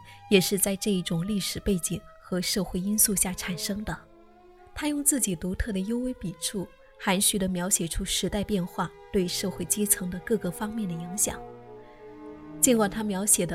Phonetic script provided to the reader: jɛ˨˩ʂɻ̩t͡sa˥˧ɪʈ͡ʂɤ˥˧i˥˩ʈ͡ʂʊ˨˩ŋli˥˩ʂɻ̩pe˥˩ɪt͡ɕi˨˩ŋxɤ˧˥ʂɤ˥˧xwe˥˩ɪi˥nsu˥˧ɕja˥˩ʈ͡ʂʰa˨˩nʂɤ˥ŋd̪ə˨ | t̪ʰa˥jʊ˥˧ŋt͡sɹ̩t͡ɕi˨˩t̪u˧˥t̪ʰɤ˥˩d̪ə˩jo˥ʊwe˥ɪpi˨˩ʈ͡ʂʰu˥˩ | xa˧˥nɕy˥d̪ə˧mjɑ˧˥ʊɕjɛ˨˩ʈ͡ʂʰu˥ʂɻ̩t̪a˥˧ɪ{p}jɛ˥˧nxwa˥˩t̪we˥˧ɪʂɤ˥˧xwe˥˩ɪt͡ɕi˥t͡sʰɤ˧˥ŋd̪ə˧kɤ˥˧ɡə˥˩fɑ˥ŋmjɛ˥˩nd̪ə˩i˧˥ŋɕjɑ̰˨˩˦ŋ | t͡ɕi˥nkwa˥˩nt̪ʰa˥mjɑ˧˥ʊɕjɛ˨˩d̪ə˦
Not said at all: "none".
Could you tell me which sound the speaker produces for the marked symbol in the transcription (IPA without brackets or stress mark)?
p